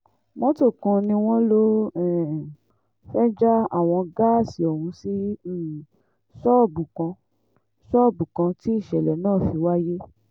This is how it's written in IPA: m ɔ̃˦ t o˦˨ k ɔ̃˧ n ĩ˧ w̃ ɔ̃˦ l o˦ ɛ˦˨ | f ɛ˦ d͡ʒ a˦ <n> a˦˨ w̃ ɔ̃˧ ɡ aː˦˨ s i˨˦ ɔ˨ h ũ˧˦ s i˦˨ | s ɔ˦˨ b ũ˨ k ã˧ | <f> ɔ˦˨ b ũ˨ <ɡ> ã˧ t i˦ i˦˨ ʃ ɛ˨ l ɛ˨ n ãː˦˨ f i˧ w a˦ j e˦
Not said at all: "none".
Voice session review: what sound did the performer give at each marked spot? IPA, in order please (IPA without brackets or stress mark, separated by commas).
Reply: none, s, k